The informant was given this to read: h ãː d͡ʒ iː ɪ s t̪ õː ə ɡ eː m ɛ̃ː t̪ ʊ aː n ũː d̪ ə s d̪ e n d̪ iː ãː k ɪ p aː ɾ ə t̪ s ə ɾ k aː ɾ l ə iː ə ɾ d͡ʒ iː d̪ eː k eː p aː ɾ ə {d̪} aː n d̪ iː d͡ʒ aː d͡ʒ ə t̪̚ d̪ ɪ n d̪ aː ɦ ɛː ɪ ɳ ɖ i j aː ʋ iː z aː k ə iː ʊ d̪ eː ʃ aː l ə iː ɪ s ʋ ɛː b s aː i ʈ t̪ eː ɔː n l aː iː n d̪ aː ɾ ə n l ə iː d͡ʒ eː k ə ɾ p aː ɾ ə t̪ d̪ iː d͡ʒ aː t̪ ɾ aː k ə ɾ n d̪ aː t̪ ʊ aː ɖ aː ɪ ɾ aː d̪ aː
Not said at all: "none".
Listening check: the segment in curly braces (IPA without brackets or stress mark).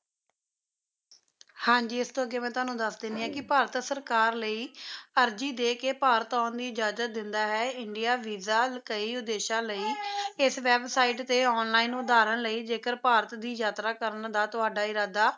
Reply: t̪